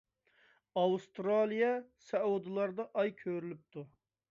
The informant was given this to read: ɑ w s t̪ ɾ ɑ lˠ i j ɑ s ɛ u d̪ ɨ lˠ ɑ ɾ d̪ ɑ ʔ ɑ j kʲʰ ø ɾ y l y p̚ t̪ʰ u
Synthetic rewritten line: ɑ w s t̪ ɾ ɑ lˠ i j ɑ s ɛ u d̪ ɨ lˠ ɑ ɾ d̪ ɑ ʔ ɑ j kʲʰ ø ɾ y l y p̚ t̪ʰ u